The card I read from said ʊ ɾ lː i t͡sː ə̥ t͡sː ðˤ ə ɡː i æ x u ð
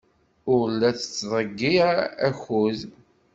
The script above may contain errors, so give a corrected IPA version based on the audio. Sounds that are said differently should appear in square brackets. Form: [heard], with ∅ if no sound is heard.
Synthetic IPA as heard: ʊ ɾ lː [æ] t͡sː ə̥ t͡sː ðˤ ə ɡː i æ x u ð